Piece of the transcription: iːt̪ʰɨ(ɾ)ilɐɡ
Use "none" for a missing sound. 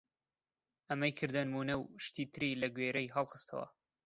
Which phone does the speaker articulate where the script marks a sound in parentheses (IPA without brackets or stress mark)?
ɾ